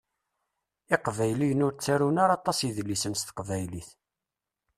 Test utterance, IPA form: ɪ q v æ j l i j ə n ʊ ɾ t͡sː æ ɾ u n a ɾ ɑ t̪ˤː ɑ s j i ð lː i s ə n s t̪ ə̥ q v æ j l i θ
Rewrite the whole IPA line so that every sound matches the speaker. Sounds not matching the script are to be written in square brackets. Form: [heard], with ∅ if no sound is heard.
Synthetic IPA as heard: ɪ q v æ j l i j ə n ʊ ɾ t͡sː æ ɾ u n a ɾ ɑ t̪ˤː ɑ s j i ð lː i s ə n s t̪ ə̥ q v æ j l i θ